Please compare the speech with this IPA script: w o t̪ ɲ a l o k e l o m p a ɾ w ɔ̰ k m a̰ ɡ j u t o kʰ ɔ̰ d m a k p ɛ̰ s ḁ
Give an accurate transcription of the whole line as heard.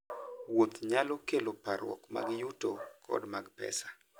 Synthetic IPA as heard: w o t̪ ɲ a l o k e l o p a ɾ w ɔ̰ k m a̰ ɡ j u t o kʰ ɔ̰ d m a ɡ p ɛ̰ s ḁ